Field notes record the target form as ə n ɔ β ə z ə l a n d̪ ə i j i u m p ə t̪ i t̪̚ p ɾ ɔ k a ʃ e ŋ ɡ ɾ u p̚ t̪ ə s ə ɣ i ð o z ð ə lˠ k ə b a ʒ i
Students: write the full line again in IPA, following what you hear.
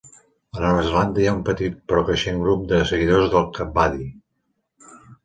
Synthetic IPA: ə n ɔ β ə z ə l a n d̪ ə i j a u m p ə t̪ i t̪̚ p ɾ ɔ k ə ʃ e ŋ ɡ ɾ u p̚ d̪ ə s ə ɣ i ð o z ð ə lˠ k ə b a ð i